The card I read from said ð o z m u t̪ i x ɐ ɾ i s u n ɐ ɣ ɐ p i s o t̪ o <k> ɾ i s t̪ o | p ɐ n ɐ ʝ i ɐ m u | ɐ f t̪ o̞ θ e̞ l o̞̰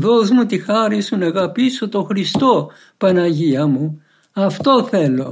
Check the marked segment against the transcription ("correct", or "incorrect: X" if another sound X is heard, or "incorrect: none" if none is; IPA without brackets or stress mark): incorrect: x